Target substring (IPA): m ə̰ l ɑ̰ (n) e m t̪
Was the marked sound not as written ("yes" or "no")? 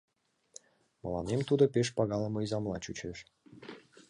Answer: no